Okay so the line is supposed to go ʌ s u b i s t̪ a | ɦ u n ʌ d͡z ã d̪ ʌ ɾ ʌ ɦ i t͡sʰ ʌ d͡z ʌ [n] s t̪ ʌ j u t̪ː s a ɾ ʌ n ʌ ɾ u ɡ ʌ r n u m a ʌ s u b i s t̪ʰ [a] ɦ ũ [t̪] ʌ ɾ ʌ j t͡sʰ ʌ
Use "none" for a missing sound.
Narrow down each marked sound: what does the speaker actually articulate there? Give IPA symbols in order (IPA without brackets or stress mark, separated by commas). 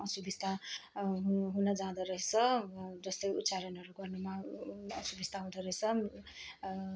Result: none, a, d̪